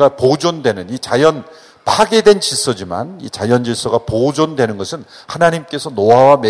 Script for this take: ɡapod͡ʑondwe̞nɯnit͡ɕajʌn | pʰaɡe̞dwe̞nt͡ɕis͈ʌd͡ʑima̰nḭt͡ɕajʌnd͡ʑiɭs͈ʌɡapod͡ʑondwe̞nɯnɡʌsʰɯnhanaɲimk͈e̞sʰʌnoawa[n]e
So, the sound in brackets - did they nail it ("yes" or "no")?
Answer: no